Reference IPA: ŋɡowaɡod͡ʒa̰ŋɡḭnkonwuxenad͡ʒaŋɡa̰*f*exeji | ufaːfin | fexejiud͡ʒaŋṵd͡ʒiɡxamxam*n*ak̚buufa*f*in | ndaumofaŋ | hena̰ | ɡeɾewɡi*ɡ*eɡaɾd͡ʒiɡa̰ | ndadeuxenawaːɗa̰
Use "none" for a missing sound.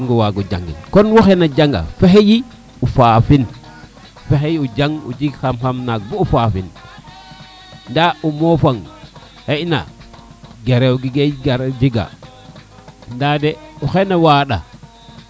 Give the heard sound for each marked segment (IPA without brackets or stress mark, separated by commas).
f, n, f, ɡ